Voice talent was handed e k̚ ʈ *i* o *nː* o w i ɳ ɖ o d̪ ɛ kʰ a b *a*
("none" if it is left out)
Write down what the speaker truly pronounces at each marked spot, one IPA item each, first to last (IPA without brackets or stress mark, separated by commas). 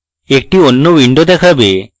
i, nː, e